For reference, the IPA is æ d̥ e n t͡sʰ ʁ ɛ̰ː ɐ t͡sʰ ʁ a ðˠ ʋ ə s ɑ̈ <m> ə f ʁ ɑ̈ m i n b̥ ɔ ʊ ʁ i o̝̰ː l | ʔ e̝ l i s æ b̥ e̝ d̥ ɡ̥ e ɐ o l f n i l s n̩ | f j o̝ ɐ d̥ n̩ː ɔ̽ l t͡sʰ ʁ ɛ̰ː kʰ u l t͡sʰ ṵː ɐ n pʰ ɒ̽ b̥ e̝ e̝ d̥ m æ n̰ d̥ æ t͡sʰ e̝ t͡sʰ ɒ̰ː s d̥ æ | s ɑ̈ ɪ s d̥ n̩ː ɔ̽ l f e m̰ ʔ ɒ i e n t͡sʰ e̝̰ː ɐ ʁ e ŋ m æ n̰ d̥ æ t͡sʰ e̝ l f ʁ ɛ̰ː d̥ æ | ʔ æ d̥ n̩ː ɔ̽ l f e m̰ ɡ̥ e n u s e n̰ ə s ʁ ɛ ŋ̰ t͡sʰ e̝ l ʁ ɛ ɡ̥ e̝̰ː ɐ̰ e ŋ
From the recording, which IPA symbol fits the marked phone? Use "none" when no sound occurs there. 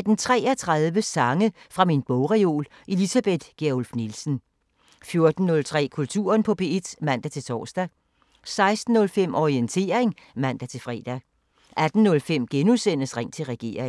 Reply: ŋ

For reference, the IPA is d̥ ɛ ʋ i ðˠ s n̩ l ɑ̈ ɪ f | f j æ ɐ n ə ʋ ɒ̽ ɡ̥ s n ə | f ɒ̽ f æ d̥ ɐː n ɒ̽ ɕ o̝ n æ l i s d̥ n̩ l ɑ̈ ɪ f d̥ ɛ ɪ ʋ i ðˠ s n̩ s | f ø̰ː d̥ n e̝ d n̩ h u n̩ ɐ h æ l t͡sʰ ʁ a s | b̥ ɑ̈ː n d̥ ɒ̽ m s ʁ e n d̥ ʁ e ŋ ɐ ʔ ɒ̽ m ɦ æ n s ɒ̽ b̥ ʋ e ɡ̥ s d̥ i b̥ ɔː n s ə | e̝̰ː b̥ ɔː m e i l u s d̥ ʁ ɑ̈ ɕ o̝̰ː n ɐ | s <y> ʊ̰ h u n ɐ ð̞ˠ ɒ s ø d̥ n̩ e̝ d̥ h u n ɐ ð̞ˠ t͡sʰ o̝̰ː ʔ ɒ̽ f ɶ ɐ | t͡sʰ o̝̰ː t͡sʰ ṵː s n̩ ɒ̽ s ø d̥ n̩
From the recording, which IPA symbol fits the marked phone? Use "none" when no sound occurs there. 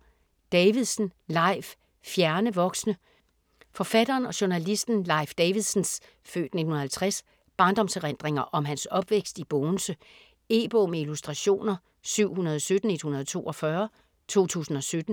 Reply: y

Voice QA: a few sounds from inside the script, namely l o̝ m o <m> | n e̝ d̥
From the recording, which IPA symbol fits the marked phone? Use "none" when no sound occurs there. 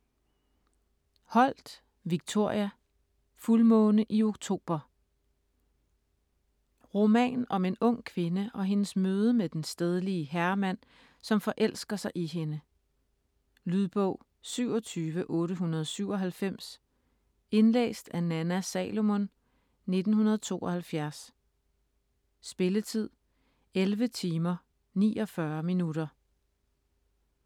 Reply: n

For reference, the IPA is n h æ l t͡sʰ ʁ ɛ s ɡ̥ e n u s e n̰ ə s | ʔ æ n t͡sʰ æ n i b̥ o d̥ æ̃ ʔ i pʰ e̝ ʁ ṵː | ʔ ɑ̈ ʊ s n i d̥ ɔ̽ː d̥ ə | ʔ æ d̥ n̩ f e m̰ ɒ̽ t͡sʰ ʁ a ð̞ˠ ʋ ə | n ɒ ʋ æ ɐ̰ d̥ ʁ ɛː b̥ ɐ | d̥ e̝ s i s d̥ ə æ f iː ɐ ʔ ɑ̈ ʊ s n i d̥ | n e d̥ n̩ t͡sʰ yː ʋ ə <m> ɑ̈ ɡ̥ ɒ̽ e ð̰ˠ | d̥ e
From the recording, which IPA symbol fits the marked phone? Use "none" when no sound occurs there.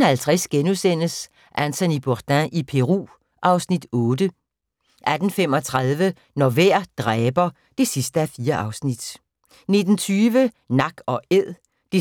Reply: n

